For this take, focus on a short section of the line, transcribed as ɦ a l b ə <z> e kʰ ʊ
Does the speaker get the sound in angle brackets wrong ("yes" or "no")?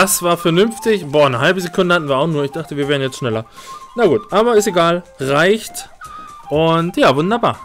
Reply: no